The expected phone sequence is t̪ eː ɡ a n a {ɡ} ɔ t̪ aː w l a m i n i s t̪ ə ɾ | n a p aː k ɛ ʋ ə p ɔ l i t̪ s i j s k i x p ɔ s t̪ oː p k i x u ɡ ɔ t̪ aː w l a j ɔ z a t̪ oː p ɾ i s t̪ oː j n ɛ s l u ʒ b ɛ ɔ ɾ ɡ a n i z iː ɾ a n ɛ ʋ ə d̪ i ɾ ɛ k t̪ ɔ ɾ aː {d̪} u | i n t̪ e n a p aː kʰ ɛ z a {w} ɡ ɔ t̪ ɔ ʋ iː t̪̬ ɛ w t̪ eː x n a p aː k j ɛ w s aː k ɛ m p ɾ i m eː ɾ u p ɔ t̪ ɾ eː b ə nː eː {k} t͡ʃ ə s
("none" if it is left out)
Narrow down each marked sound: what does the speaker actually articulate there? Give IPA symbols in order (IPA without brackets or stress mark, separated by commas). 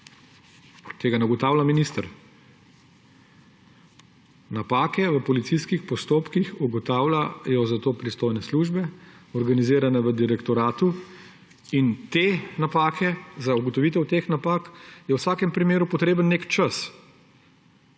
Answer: ɡ, t̪, u, k